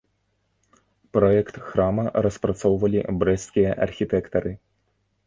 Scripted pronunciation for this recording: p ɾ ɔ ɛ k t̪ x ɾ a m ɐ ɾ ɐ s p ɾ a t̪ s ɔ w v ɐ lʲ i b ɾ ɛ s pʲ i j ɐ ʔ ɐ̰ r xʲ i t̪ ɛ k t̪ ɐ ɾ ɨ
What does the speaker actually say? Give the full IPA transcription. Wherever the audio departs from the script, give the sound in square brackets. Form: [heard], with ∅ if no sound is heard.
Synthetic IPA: p ɾ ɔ ɛ k t̪ x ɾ a m ɐ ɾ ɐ s p ɾ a t̪ s ɔ w v ɐ lʲ i b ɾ ɛ s [kʲ] i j ɐ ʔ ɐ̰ r xʲ i t̪ ɛ k t̪ ɐ ɾ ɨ